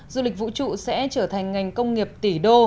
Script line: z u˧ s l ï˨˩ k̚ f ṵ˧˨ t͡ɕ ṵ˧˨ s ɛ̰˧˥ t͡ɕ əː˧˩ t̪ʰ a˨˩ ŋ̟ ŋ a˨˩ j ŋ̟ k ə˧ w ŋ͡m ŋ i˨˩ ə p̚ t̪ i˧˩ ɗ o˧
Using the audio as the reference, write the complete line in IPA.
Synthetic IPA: z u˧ l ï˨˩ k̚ v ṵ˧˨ t͡ɕ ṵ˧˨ s ɛ̰˧˥ t͡ɕ əː˧˩ t̪ʰ a˨˩ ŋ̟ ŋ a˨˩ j ŋ̟ k ə˧ w ŋ͡m ŋ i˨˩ ə p̚ t̪ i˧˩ ɗ o˧